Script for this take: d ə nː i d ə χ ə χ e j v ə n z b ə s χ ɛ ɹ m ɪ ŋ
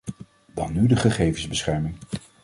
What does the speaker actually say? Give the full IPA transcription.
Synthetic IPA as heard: d ɑ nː y d ə χ ə χ e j v ə n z b ə s χ ɛ ɹ m ɪ ŋ